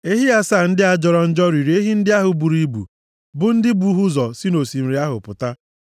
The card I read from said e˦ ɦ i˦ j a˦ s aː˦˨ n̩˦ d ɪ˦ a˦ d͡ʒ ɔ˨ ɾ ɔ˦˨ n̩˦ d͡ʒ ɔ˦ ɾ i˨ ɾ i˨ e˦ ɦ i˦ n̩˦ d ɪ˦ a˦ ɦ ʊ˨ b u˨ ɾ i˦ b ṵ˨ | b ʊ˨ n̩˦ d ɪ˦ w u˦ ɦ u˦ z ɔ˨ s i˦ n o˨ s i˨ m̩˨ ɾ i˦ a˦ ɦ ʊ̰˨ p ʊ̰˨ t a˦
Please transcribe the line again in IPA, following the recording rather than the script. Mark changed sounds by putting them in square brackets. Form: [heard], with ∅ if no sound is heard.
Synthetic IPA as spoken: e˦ ɦ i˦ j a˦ s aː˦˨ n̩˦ d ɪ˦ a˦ d͡ʒ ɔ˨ ɾ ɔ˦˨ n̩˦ d͡ʒ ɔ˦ ɾ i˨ ɾ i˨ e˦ ɦ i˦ n̩˦ d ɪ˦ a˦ ɦ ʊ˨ b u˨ ɾ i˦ b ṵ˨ | b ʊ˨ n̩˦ d ɪ˦ [b] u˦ ɦ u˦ z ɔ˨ s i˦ n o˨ s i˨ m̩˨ ɾ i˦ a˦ ɦ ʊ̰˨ p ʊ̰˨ t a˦